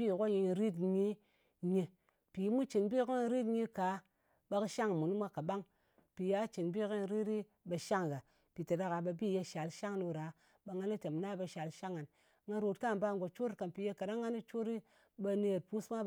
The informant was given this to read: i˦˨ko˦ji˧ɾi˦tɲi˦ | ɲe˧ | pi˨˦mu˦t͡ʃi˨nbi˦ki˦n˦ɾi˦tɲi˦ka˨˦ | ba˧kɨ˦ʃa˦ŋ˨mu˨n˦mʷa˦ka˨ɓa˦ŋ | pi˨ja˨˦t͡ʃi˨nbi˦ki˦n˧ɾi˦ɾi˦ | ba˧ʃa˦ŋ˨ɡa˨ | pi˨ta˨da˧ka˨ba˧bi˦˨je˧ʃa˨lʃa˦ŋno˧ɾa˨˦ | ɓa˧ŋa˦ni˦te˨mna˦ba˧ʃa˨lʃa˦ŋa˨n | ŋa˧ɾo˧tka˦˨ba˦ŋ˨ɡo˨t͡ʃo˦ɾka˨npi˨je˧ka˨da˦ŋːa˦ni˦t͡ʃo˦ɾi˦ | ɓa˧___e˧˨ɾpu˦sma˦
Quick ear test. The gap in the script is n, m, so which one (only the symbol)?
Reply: n